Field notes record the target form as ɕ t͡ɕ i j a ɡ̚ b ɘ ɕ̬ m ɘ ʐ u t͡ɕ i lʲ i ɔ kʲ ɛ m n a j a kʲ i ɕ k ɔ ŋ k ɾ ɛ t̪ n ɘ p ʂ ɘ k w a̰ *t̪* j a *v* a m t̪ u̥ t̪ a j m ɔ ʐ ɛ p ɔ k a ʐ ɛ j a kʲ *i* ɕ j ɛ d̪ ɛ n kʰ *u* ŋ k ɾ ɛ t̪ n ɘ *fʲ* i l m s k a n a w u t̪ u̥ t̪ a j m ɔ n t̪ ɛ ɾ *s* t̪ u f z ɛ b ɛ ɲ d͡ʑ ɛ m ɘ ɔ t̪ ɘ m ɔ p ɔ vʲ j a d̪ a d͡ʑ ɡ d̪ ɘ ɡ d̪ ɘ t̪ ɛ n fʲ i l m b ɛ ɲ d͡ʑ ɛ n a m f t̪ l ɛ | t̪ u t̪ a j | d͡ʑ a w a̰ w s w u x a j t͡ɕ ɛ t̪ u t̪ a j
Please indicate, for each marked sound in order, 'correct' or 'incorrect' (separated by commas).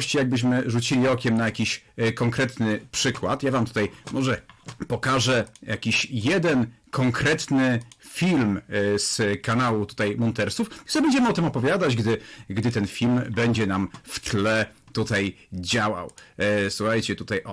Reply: correct, correct, correct, incorrect, correct, correct